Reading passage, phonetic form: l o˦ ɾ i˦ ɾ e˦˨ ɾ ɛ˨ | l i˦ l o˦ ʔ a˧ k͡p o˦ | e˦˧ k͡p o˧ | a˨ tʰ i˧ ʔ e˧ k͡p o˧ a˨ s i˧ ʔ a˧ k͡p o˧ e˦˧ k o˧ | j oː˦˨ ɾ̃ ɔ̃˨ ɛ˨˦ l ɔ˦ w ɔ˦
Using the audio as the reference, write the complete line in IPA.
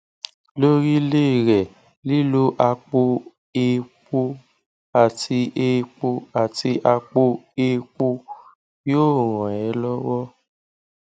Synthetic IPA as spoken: l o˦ ɾ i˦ l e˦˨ ɾ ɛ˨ | l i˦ l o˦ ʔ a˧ k͡p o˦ | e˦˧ k͡p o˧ | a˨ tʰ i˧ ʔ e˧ k͡p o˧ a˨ t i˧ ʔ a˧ k͡p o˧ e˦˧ k͡p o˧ | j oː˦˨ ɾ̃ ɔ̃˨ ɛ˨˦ l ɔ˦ w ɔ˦